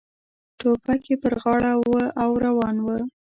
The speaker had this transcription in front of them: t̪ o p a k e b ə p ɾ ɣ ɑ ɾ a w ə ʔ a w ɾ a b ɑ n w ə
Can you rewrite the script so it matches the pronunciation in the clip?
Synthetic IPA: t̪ o p a k e p ə ɾ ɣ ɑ ɽ a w ə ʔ a w ɾ a w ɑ n w ə